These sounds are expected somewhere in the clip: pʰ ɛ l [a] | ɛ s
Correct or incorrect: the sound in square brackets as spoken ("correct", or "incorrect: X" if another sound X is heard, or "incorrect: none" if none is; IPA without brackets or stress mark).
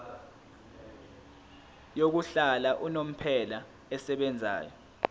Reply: correct